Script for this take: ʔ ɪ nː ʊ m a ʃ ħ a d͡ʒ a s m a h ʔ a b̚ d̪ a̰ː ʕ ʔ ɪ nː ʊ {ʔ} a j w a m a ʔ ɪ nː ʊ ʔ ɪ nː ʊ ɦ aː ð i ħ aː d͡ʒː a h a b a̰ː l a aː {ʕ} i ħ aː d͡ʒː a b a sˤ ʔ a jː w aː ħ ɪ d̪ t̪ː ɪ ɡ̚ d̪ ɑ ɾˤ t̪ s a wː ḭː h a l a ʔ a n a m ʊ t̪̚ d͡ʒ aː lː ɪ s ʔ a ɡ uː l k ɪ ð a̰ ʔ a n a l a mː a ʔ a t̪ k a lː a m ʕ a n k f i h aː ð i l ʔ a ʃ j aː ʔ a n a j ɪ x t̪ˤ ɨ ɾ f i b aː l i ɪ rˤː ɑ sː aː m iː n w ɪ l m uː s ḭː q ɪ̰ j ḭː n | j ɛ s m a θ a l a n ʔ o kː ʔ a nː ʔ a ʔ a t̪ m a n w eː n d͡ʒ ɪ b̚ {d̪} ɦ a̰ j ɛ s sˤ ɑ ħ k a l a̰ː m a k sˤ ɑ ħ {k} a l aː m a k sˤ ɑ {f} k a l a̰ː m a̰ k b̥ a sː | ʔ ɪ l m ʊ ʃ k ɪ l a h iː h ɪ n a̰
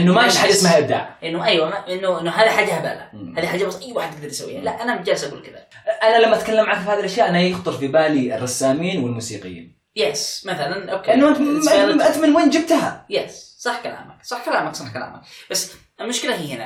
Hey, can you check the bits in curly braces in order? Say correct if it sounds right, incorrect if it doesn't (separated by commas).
correct, incorrect, incorrect, correct, incorrect